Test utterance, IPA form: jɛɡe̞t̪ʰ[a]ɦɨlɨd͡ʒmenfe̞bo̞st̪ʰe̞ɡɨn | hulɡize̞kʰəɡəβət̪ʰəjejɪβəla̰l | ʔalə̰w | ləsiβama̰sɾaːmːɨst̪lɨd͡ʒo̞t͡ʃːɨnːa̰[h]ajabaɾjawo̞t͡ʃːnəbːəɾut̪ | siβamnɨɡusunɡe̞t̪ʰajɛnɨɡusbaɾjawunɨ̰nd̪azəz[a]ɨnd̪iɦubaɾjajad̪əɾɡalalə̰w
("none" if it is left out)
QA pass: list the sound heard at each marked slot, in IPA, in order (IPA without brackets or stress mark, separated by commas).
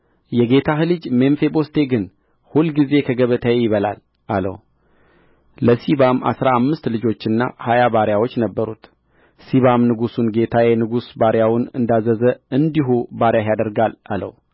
a, h, ə